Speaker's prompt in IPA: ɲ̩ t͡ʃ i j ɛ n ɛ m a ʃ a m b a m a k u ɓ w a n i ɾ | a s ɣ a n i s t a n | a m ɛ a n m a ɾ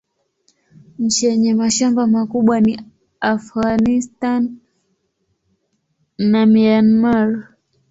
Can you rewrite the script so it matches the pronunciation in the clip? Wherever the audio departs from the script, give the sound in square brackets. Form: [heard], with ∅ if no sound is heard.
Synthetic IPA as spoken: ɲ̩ t͡ʃ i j ɛ [ɲ] ɛ m a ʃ a m b a m a k u ɓ w a n i [∅] | a [f] ɣ a n i s t a n | a m [i] a n m a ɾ